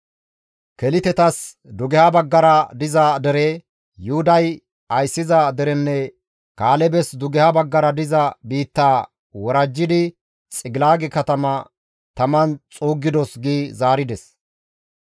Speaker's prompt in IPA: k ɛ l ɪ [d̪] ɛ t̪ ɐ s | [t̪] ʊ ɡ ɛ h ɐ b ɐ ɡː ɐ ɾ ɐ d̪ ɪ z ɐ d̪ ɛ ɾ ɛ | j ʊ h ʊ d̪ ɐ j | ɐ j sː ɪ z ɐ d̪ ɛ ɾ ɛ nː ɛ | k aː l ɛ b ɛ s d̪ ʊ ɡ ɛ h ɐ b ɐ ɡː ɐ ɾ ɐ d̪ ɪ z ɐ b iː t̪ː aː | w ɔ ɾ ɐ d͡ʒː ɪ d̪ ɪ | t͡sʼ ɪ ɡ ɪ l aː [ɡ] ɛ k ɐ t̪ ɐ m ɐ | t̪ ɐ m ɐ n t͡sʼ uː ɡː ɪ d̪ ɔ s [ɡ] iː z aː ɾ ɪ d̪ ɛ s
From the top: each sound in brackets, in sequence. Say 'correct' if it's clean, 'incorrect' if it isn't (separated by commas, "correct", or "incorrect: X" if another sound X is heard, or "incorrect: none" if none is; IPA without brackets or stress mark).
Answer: incorrect: t̪, incorrect: d̪, correct, correct